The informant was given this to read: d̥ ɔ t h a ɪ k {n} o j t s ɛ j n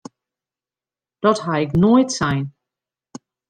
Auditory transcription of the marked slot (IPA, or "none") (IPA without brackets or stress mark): n